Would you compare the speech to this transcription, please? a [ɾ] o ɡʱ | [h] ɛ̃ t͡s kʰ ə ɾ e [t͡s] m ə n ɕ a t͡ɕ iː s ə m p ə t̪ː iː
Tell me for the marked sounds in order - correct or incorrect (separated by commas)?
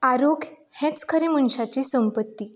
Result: correct, correct, incorrect